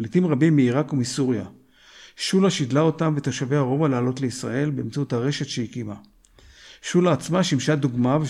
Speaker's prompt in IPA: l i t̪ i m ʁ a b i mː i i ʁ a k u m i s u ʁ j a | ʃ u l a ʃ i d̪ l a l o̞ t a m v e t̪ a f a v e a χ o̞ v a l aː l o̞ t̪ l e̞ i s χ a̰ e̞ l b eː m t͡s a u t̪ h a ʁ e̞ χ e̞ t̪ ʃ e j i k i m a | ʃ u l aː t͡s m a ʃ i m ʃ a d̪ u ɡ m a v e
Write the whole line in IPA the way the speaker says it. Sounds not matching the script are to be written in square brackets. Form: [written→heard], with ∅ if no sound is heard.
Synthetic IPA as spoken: l i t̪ i m ʁ a b i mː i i ʁ a k u m i s u ʁ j a | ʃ u l a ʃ i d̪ l a [l→∅] o̞ t a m v e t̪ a [f→ʃ] a v e a [χ→ʁ] o̞ v a l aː l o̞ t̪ l e̞ i s [χ→ʁ] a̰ e̞ l b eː m t͡s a u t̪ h a ʁ e̞ [χ→ʃ] e̞ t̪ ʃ e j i k i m a | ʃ u l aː t͡s m a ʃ i m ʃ a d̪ u ɡ m a v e